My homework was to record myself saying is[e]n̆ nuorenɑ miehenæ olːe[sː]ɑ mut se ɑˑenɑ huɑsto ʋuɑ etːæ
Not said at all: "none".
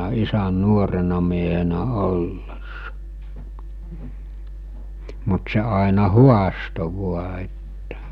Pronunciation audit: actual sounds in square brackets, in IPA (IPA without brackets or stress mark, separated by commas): æ, sː